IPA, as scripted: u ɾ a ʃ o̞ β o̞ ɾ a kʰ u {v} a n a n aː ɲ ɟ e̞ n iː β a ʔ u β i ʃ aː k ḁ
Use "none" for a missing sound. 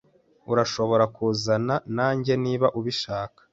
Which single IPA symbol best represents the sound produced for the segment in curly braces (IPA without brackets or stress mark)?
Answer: z